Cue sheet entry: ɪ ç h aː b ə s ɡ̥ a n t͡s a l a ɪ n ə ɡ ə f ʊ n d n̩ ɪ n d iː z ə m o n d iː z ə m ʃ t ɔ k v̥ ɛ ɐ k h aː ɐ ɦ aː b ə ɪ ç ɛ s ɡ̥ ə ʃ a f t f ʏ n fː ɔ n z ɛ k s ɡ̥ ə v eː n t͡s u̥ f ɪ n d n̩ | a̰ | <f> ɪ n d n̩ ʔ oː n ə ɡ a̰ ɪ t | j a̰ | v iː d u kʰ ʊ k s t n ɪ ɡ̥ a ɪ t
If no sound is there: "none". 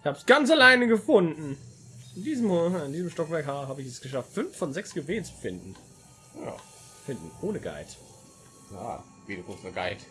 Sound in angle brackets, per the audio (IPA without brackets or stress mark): f